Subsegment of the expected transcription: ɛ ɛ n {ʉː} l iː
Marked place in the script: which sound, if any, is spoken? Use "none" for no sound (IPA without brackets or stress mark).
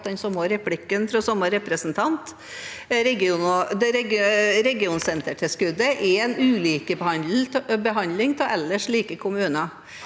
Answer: ʉː